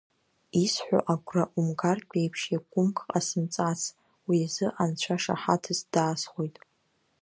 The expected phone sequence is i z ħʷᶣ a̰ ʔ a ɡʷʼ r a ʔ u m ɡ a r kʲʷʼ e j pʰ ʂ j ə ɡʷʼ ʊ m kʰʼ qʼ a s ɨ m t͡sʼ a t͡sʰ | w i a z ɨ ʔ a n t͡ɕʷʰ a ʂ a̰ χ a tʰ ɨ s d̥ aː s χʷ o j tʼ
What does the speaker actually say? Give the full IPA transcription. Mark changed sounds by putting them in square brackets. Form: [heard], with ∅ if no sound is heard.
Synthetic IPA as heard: i [s] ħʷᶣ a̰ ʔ a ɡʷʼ r a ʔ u m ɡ a r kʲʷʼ e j pʰ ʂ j [a] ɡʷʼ ʊ m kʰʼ qʼ a s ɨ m t͡sʼ a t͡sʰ | w i a z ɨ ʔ a n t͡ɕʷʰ a ʂ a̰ [ħ] a tʰ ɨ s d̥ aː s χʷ o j tʼ